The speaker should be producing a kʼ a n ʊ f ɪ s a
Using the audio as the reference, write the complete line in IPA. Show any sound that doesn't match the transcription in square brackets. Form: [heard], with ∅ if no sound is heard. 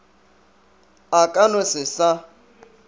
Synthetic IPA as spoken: a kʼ a n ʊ [s] ɪ s a